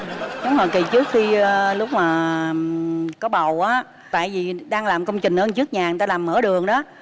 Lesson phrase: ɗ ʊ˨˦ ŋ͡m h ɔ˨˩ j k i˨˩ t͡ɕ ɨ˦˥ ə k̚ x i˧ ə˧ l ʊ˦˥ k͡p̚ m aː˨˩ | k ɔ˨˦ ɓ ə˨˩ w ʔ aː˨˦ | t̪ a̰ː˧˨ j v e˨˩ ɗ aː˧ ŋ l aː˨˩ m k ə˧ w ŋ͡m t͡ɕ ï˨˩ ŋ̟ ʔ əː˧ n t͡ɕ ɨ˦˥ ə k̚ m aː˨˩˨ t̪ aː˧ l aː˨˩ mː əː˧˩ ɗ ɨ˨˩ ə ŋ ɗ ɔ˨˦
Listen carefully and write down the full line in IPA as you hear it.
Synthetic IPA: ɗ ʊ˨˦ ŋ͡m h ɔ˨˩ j k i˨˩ t͡ɕ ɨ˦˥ ə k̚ x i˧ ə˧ l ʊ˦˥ k͡p̚ m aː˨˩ | k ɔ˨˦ ɓ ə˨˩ w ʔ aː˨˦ | t̪ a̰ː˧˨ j v i˨˩ ɗ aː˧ ŋ l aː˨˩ m k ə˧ w ŋ͡m t͡ɕ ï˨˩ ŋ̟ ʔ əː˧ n t͡ɕ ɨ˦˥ ə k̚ ɲ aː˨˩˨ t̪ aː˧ l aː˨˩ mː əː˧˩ ɗ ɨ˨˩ ə ŋ ɗ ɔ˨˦